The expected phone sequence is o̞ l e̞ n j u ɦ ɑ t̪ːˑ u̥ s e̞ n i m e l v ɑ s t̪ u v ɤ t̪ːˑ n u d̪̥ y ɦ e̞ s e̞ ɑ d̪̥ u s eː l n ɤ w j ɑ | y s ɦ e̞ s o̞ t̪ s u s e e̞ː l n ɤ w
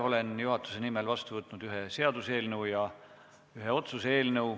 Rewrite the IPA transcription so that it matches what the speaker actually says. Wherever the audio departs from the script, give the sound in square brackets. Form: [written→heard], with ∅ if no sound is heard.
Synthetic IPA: o̞ l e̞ n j u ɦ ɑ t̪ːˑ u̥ s e̞ n i m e l v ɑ s t̪ u v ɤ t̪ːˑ n u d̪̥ y ɦ e̞ s e̞ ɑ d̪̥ u s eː l n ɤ w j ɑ | y [s→∅] ɦ e̞ [s→∅] o̞ t̪ s u s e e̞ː l n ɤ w